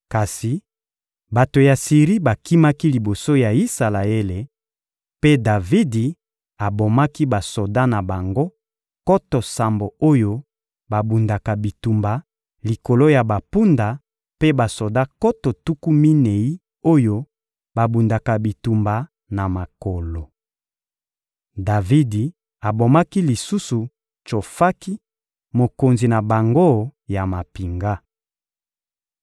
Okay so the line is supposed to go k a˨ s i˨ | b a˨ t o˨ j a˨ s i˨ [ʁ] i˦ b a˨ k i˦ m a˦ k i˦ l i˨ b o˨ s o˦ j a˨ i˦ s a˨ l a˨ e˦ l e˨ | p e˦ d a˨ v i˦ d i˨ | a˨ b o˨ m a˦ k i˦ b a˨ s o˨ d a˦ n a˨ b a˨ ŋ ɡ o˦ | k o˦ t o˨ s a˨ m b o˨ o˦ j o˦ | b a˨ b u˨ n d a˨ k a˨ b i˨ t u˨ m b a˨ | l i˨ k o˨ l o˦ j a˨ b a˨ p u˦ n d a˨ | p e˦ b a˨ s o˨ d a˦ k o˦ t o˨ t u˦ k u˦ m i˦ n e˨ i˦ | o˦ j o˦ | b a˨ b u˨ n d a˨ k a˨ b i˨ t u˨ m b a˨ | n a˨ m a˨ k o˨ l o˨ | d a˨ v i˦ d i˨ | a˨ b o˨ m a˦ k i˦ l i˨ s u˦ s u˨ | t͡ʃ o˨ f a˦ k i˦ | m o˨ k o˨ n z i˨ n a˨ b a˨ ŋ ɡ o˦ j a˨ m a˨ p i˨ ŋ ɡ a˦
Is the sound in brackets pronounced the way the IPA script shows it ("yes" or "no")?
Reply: yes